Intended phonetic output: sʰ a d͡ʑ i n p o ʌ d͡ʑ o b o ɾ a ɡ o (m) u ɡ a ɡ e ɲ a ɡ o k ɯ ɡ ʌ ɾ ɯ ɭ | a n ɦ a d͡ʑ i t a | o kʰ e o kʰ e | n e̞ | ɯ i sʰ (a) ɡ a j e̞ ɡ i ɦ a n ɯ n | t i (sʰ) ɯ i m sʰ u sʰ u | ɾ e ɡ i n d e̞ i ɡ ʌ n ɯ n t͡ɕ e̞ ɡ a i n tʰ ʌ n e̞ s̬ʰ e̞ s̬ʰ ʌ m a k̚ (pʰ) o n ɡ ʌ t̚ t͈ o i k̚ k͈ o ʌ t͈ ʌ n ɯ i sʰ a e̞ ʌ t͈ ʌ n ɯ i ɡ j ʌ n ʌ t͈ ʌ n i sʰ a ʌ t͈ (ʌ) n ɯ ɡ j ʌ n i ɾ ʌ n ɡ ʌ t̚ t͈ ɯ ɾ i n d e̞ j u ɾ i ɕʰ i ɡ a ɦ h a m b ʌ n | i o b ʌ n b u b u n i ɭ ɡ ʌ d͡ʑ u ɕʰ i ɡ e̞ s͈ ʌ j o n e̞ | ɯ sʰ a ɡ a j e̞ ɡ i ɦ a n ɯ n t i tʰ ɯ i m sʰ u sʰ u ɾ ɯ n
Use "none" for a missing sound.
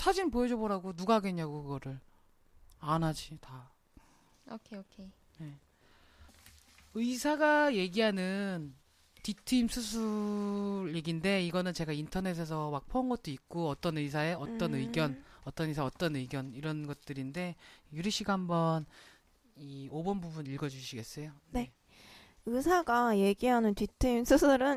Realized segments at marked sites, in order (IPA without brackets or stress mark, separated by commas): n, a, tʰ, pʰ, ʌ